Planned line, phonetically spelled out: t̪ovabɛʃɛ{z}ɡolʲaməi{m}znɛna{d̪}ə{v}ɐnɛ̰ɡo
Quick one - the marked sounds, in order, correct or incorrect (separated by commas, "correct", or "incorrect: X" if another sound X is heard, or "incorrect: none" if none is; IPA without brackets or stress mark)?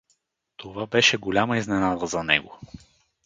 incorrect: none, incorrect: none, correct, incorrect: z